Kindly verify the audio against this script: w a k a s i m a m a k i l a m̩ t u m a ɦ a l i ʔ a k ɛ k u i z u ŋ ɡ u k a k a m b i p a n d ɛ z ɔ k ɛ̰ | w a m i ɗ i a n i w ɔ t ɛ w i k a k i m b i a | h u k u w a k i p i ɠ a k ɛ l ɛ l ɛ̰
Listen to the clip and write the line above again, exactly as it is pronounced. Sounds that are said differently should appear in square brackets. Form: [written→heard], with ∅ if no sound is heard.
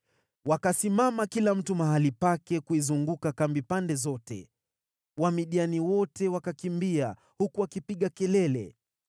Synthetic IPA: w a k a s i m a m a k i l a m̩ t u m a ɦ a l i [ʔ→p] a k ɛ k u i z u ŋ ɡ u k a k a m b i p a n d ɛ z ɔ [k→t] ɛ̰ | w a m i ɗ i a n i w ɔ t ɛ w [i→a] k a k i m b i a | h u k u w a k i p i ɠ a k ɛ l ɛ l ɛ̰